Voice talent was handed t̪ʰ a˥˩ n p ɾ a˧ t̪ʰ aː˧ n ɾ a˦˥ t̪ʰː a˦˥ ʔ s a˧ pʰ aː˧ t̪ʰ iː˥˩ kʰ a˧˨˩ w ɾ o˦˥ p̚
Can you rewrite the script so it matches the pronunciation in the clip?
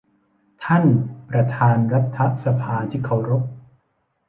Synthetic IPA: t̪ʰ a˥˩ n p ɾ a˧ t̪ʰ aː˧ n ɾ a˦˥ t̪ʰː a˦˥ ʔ s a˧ pʰ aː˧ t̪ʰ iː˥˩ kʰ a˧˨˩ w ɾ o˦˥ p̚

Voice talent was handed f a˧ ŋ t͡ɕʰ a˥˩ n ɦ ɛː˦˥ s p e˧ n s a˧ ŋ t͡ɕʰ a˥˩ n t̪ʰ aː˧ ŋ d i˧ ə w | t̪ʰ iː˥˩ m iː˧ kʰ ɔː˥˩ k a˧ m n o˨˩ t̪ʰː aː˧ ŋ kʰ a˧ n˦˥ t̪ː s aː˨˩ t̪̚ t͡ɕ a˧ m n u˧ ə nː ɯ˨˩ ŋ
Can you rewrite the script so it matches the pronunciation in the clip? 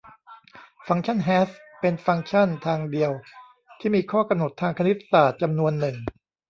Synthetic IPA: f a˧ ŋ t͡ɕʰ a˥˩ n ɦ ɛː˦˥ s p e˧ n f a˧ ŋ t͡ɕʰ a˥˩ n t̪ʰ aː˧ ŋ d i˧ ə w | t̪ʰ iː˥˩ m iː˧ kʰ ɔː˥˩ k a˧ m n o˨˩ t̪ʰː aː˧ ŋ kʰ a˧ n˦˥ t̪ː s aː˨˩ t̪̚ t͡ɕ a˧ m n u˧ ə nː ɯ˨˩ ŋ

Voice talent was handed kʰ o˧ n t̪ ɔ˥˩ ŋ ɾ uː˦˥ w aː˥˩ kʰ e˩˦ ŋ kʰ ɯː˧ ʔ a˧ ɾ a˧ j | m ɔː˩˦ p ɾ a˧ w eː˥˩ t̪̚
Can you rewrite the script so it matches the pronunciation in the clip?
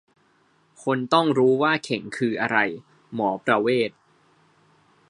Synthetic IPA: kʰ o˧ n t̪ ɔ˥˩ ŋ ɾ uː˦˥ w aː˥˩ kʰ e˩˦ ŋ kʰ ɯː˧ ʔ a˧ ɾ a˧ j | m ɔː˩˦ p ɾ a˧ w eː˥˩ t̪̚

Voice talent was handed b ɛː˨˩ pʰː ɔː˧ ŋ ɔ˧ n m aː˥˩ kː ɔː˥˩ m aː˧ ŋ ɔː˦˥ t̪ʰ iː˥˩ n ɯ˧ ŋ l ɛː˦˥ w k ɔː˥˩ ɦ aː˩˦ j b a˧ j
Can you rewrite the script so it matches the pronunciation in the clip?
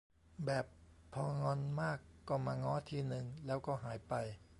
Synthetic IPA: b ɛː˨˩ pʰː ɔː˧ ŋ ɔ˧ n m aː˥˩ kː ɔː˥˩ m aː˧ ŋ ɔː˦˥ t̪ʰ iː˧ n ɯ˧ ŋ l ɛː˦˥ w k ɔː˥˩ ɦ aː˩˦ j p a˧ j

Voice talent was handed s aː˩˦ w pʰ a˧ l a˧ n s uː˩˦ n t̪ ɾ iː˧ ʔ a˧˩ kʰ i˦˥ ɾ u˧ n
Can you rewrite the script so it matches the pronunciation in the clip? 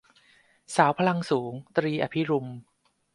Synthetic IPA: s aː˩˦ w pʰ a˧ l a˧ ŋ s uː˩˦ ŋ t̪ ɾ iː˧ ʔ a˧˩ pʰ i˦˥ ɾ u˧ m

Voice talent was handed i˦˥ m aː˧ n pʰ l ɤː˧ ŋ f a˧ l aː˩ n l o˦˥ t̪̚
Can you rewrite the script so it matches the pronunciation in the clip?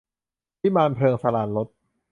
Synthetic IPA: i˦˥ m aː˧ n pʰ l ɤː˧ ŋ s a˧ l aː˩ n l o˦˥ t̪̚

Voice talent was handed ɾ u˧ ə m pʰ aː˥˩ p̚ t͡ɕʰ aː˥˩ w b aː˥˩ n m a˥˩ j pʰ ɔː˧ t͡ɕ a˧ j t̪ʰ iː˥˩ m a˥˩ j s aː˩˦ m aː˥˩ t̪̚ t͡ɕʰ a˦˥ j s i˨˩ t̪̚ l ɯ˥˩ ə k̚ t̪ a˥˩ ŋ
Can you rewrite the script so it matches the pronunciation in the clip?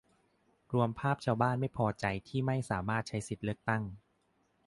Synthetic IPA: ɾ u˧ ə m pʰ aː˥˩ p̚ t͡ɕʰ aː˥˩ w b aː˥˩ n m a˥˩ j pʰ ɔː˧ t͡ɕ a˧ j t̪ʰ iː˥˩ m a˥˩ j s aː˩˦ m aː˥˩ t̪̚ t͡ɕʰ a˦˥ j s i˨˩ t̪̚ l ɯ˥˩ ə k̚ t̪ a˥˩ ŋ

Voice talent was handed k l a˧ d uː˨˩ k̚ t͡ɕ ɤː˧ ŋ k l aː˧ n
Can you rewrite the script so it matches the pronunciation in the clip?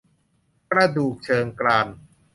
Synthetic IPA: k ɾ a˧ d uː˨˩ k̚ t͡ɕʰ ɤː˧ ŋ k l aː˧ n

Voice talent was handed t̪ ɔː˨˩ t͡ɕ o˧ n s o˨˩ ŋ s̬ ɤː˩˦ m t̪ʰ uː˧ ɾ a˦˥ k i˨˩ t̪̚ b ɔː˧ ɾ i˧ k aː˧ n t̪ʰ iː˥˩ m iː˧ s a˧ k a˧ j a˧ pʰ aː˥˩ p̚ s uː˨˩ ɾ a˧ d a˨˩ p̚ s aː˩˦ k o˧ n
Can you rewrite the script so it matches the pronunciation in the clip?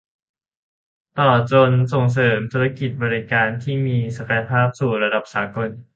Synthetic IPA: t̪ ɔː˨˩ t͡ɕ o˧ n s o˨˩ ŋ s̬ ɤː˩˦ m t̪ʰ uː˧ ɾ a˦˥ k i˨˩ t̪̚ b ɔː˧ ɾ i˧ k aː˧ n t̪ʰ iː˥˩ m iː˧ s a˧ k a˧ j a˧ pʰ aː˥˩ p̚ s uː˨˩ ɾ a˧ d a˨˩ p̚ s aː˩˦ k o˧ n

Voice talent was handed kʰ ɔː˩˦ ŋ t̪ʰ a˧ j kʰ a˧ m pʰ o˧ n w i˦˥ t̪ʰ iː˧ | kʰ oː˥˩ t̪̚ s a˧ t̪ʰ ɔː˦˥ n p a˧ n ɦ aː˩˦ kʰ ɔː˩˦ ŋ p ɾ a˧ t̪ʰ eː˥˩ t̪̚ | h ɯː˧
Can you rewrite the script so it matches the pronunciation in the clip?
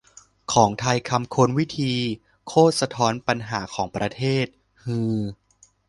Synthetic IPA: kʰ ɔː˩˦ ŋ t̪ʰ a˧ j kʰ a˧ m kʰ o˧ n w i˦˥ t̪ʰ iː˧ | kʰ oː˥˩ t̪̚ s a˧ t̪ʰ ɔː˦˥ n p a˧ n ɦ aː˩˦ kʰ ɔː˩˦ ŋ p ɾ a˧ t̪ʰ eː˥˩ t̪̚ | h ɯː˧

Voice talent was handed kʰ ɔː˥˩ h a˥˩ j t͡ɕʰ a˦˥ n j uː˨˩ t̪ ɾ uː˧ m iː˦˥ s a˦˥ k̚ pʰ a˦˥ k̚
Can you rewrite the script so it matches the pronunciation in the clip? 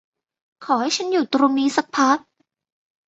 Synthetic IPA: kʰ ɔː˩˦ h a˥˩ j t͡ɕʰ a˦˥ n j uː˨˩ t̪ ɾ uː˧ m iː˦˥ s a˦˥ k̚ pʰ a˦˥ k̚

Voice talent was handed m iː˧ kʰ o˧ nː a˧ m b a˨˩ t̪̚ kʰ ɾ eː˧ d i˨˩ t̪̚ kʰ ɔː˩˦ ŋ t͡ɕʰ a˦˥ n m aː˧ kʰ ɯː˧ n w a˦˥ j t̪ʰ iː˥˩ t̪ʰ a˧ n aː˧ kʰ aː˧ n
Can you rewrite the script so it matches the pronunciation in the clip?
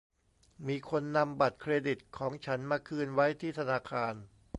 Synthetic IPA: m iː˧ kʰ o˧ nː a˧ m b a˨˩ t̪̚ kʰ ɾ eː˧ d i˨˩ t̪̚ kʰ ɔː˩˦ ŋ t͡ɕʰ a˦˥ n m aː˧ kʰ ɯː˧ n w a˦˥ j t̪ʰ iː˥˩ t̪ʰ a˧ n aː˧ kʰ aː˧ n

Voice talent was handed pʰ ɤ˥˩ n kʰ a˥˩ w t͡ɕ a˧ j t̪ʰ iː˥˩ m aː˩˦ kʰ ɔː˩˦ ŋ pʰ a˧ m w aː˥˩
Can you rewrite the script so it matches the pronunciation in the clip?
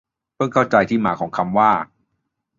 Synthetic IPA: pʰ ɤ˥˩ ŋ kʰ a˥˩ w t͡ɕ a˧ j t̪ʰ iː˥˩ m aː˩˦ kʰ ɔː˩˦ ŋ kʰ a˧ m w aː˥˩

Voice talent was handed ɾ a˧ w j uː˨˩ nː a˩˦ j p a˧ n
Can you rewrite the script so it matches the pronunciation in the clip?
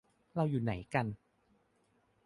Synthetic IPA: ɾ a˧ w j uː˨˩ n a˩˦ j k a˧ n

